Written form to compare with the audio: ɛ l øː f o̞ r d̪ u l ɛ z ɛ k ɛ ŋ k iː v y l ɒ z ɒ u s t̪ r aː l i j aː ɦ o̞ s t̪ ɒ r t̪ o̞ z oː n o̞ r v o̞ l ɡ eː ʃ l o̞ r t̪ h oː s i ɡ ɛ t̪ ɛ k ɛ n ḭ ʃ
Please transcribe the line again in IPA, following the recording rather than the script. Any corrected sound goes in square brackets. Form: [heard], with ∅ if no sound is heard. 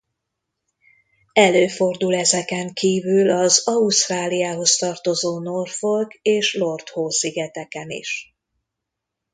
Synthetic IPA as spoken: ɛ l øː f o̞ r d̪ u l ɛ z ɛ k ɛ ŋ k iː v y l ɒ z ɒ u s t̪ r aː l i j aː ɦ o̞ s t̪ ɒ r t̪ o̞ z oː n o̞ r [f] o̞ l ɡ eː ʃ l o̞ r t̪ h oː s i ɡ ɛ t̪ ɛ k ɛ n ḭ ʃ